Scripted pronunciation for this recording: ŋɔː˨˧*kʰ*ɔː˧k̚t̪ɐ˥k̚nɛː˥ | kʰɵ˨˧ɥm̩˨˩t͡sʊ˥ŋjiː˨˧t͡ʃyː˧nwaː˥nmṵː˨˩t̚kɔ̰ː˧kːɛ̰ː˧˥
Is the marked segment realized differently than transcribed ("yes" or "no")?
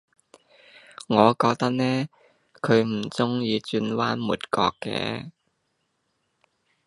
yes